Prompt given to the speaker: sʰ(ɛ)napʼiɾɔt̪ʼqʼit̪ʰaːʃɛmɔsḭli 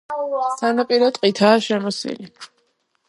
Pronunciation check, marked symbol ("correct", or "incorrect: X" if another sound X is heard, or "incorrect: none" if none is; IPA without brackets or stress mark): incorrect: a